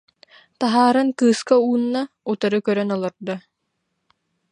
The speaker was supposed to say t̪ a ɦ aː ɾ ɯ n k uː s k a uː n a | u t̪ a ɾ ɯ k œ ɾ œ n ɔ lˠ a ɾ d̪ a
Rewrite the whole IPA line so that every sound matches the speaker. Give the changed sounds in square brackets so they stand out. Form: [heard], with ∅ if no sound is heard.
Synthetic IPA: t̪ a ɦ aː ɾ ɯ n k [ɯː] s k a uː [nː] a | u t̪ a ɾ ɯ k œ ɾ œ n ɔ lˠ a ɾ d̪ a